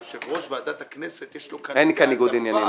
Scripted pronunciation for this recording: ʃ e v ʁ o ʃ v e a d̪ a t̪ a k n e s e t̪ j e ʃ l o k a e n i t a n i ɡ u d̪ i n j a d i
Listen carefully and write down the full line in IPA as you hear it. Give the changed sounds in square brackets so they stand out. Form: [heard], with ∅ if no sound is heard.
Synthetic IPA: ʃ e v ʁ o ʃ v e a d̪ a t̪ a k n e s e t̪ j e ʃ l o k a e n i [k] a n i ɡ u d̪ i n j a [n] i